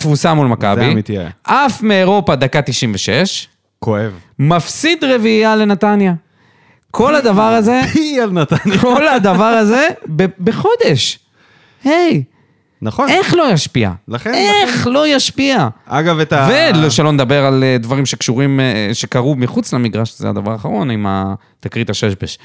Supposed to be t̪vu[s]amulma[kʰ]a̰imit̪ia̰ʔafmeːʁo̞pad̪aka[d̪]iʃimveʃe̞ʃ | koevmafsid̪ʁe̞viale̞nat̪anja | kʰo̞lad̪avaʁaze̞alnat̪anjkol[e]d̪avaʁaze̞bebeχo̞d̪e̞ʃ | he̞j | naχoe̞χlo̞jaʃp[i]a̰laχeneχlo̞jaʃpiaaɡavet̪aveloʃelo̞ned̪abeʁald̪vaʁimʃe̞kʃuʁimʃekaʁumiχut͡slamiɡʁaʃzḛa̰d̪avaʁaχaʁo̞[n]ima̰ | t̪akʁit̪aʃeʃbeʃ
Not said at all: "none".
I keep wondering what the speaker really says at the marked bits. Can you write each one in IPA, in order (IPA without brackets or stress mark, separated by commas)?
s, k, t̪, a, i, n